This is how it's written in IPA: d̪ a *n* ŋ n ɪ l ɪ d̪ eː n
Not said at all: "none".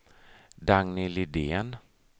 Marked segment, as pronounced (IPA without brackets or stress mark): none